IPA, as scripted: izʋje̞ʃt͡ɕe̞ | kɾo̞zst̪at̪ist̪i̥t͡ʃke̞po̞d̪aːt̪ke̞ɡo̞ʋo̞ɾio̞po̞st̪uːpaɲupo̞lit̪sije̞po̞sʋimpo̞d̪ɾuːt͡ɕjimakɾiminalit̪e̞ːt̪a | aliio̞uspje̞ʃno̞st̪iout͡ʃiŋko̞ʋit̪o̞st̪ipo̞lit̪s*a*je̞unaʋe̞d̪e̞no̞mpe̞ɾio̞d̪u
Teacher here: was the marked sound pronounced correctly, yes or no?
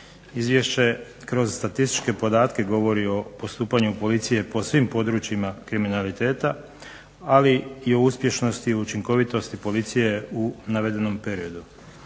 no